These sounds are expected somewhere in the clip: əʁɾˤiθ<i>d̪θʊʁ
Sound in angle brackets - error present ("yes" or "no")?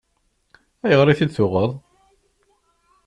no